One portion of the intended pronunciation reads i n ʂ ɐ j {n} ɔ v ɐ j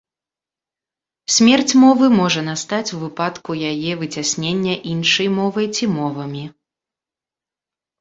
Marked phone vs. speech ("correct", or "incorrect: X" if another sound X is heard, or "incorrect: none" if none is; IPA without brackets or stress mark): incorrect: m